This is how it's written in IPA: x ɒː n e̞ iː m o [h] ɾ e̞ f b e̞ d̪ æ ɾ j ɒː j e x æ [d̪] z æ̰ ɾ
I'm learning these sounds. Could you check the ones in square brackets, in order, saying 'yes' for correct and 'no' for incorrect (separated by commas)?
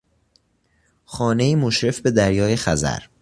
no, no